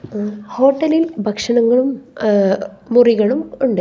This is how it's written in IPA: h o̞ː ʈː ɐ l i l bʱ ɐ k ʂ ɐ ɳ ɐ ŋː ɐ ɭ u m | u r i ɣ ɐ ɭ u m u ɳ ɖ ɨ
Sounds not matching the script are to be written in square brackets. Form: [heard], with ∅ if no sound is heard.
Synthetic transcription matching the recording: h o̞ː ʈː ɐ l i l bʱ ɐ k ʂ ɐ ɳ ɐ ŋː ɐ ɭ u m | u r i ɣ ɐ ɭ u m u ɳ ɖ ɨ